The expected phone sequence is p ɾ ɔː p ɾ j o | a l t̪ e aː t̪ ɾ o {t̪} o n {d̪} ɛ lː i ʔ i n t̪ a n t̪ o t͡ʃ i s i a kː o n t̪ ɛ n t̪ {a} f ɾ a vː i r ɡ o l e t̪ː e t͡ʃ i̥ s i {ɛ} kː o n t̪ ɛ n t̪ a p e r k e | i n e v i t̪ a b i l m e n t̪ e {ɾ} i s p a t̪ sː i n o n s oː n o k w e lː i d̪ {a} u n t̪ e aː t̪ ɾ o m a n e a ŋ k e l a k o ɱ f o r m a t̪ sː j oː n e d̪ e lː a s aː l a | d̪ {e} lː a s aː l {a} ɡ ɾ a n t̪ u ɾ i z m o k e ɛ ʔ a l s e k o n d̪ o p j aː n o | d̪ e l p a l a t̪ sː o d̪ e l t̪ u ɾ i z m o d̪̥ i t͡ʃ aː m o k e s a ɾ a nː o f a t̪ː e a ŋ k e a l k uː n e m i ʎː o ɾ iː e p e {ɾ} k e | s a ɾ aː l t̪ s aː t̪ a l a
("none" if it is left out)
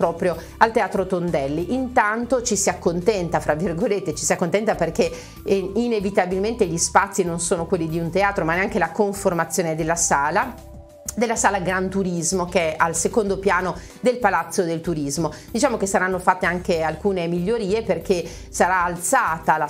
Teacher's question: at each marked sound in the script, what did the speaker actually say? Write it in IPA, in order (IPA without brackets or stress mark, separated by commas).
t̪, d̪, a, a, ʎ, i, e, a, r